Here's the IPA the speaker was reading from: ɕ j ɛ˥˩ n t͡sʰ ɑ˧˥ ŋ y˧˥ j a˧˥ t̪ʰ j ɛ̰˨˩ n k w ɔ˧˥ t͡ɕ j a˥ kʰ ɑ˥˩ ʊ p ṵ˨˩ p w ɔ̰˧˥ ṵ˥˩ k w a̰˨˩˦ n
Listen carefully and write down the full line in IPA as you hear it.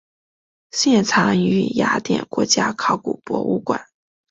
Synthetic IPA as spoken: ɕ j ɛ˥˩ n t͡sʰ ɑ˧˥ ŋ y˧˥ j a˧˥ t̪ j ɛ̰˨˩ n k w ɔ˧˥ t͡ɕ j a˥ kʰ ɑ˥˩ ʊ k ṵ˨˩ p w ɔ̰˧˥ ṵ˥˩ k w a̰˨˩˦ n

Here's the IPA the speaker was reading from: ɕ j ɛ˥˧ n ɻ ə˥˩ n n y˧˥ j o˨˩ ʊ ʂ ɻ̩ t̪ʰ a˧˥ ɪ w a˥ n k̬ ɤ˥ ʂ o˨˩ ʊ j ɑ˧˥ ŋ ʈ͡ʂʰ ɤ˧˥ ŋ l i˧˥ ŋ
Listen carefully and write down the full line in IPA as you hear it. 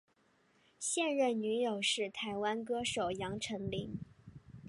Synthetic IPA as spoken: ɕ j ɛ˥˧ n ɻ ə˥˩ n n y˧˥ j o˨˩ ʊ ʂ ɻ̩ t̪ʰ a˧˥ ɪ w a˥ n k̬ ɤ˥ ʂ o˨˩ ʊ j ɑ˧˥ ŋ ʈ͡ʂʰ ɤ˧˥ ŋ l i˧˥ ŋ

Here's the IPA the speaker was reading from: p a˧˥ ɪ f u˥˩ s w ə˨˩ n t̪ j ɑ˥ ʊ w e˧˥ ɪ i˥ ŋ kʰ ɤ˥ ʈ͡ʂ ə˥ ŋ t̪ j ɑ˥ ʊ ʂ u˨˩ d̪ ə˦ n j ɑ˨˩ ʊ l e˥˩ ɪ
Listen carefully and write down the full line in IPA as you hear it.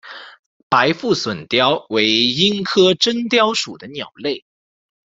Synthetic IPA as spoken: p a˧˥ ɪ f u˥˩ s w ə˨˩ n t̪ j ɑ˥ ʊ w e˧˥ ɪ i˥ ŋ kʰ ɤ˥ ʈ͡ʂ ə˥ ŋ t̪ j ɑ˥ ʊ ʂ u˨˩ d̪ ə˦ n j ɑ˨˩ ʊ l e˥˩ ɪ

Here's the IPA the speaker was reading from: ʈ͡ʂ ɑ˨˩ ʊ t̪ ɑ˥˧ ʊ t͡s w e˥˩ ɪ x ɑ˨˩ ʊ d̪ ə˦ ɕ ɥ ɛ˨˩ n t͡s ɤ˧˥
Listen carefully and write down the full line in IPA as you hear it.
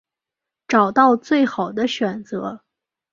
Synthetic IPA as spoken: ʈ͡ʂ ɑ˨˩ ʊ t̪ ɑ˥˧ ʊ t͡s w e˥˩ ɪ x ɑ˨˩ ʊ d̪ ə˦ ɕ ɥ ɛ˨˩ n t͡s ɤ˧˥

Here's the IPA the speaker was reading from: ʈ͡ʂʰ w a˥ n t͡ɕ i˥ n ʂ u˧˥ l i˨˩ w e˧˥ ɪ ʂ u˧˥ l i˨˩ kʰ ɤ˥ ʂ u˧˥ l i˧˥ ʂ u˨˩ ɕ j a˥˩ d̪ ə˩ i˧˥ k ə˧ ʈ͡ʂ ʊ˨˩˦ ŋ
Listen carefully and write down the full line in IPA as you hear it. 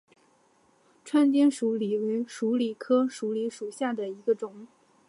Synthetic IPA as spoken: ʈ͡ʂʰ w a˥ n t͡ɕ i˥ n ʂ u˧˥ l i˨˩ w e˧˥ ɪ ʂ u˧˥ l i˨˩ kʰ ɤ˥ ʂ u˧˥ l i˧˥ ʂ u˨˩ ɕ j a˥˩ d̪ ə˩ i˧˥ ɡ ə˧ ʈ͡ʂ ʊ˨˩˦ ŋ

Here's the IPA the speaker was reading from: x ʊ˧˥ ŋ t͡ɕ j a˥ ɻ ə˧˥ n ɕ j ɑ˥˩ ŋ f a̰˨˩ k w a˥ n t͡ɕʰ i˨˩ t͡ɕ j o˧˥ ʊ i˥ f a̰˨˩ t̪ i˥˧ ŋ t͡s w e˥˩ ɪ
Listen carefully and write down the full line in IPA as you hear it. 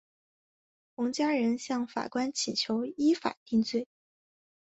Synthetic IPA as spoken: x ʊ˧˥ ŋ t͡ɕ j a˥ ɻ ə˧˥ n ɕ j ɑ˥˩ ŋ f a̰˨˩ k w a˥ n t͡ɕʰ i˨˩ t͡ɕʰ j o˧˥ ʊ i˥ f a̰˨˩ t̪ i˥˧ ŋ t͡s w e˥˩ ɪ

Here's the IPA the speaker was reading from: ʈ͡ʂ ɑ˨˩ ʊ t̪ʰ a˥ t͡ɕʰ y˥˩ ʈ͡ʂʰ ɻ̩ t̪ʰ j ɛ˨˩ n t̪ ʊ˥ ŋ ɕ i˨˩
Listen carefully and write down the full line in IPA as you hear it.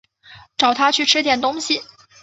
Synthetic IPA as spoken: ʈ͡ʂ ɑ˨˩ ʊ t̪ʰ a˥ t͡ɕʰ y˥˩ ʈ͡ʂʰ ɻ̩ t̪ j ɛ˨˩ n t̪ ʊ˥ ŋ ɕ i˨˩

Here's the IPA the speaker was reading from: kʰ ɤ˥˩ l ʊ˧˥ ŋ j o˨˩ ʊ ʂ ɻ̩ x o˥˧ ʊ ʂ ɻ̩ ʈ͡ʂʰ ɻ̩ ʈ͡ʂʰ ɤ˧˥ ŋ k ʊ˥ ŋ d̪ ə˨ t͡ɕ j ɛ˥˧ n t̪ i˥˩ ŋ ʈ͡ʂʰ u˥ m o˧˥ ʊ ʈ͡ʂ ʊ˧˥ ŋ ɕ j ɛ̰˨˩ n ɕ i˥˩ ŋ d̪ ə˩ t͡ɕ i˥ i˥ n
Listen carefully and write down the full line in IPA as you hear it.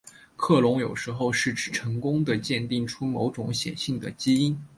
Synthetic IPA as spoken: kʰ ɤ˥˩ l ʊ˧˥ ŋ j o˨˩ ʊ ʂ ɻ̩ x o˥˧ ʊ ʂ ɻ̩ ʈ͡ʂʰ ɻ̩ ʈ͡ʂʰ ɤ˧˥ ŋ k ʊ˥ ŋ d̪ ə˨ t͡ɕ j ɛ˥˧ n t̪ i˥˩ ŋ ʈ͡ʂʰ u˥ m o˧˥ ʊ ʈ͡ʂ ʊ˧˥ ŋ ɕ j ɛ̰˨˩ n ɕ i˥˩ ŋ d̪ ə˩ t͡ɕ i˥ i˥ n

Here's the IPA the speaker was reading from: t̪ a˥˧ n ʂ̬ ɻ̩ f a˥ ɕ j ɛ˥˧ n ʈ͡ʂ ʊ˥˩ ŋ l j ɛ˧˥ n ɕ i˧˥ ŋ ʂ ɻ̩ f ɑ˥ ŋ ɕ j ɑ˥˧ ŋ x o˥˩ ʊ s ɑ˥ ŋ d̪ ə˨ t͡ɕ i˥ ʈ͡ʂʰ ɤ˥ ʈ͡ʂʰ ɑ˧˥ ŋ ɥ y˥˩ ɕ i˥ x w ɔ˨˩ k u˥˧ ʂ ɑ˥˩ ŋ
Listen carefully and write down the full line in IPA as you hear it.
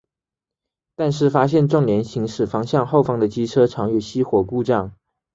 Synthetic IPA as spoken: t̪ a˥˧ n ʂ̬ ɻ̩ f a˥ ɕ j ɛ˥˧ n ʈ͡ʂ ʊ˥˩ ŋ l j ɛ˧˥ n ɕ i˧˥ ŋ ʂ ɻ̩ f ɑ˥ ŋ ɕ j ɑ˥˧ ŋ x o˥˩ ʊ f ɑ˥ ŋ d̪ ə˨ t͡ɕ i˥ ʈ͡ʂʰ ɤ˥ ʈ͡ʂʰ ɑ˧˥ ŋ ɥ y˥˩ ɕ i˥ x w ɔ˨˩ k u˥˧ ʈ͡ʂ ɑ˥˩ ŋ

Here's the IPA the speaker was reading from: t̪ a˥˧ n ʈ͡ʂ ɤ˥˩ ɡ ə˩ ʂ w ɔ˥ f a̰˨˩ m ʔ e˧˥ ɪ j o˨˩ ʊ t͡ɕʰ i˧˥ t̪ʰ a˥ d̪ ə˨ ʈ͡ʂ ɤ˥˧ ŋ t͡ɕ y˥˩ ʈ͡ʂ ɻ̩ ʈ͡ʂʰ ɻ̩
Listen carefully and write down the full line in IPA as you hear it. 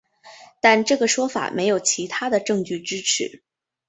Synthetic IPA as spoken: t̪ a˥˧ n ʈ͡ʂ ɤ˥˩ ɡ ə˩ ʂ w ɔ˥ f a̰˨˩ m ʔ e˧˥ ɪ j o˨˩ ʊ t͡ɕʰ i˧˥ t̪ʰ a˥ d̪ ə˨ ʈ͡ʂ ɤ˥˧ ŋ t͡ɕ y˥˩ ʈ͡ʂ ɻ̩ ʈ͡ʂʰ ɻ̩

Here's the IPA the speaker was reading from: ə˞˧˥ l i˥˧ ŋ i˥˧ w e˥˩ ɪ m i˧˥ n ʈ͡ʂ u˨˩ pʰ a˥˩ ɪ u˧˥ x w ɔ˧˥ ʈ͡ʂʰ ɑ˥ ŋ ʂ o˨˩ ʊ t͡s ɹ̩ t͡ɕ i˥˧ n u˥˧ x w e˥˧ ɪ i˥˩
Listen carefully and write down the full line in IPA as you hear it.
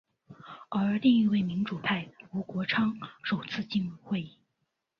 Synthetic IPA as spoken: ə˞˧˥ l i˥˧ ŋ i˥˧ w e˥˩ ɪ m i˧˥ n ʈ͡ʂ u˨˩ pʰ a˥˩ ɪ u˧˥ k w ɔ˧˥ ʈ͡ʂʰ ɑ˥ ŋ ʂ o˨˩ ʊ t͡sʰ ɹ̩ t͡ɕ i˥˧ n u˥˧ x w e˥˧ ɪ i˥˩

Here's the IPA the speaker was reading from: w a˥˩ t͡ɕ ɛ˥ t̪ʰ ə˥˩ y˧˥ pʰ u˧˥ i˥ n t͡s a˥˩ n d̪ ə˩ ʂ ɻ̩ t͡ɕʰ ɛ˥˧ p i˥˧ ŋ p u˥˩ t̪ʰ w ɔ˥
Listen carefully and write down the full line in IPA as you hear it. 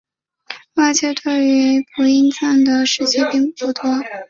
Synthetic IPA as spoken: w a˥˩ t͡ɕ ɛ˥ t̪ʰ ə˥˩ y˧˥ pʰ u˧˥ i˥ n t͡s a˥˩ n d̪ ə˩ ʂ ɻ̩ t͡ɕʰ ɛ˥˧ p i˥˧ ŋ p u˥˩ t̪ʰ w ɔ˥

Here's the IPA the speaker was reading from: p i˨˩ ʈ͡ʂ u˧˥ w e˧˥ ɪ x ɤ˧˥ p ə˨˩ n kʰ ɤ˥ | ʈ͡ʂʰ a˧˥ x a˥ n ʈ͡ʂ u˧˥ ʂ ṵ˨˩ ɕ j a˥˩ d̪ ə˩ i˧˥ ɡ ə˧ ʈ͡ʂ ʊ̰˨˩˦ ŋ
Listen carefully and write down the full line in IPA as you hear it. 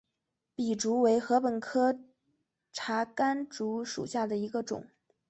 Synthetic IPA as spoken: p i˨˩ ʈ͡ʂ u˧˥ w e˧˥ ɪ x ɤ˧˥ p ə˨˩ n kʰ ɤ˥ | ʈ͡ʂʰ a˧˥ k a˥ n ʈ͡ʂ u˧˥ ʂ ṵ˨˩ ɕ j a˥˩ d̪ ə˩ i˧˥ ɡ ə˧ ʈ͡ʂ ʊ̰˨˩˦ ŋ

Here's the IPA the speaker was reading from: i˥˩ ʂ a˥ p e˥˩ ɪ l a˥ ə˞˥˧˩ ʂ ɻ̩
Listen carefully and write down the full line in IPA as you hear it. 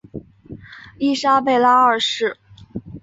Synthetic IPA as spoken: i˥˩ ʂ a˥ p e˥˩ ɪ l a˥ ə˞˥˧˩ ʂ ɻ̩

